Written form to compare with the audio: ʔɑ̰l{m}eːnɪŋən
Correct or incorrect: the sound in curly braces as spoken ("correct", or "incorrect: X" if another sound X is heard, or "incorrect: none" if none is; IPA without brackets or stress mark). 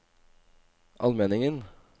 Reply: correct